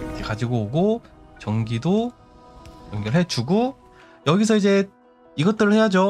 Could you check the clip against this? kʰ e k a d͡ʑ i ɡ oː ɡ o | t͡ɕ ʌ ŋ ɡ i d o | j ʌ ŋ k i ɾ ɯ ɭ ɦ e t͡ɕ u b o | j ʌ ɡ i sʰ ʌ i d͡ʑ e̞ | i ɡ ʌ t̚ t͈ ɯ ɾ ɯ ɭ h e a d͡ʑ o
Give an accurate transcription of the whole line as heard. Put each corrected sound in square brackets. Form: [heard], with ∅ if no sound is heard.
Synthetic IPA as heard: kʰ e k a d͡ʑ i ɡ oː ɡ o | t͡ɕ ʌ ŋ ɡ i d o | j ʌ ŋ [ɡ] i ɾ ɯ ɭ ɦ e t͡ɕ u [ɡ] o | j ʌ ɡ i sʰ ʌ i d͡ʑ e̞ | i ɡ ʌ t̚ t͈ ɯ ɾ ɯ ɭ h e a d͡ʑ o